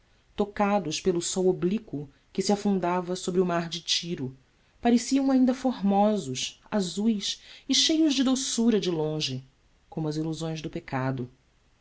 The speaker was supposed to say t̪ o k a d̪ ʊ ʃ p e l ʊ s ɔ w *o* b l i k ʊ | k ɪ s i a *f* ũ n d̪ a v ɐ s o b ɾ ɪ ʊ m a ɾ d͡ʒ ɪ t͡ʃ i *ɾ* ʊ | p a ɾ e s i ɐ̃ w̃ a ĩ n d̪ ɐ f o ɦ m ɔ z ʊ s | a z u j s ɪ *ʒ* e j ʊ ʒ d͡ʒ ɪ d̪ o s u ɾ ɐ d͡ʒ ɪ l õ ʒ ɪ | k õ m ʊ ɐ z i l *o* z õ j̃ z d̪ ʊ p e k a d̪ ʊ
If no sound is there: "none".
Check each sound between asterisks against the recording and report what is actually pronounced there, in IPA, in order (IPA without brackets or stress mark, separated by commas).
o, f, ɾ, ʃ, u